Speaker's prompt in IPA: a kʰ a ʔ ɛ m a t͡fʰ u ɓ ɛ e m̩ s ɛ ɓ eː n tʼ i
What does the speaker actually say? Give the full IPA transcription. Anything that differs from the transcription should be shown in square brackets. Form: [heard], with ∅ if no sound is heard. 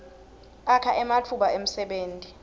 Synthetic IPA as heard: a kʰ a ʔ ɛ m a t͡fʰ u ɓ [a] e m̩ s ɛ ɓ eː n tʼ i